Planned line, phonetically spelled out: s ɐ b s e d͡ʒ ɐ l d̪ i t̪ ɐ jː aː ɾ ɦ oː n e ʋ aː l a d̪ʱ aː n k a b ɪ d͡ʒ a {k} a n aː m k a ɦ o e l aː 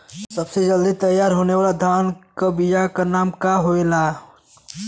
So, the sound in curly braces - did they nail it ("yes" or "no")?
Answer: yes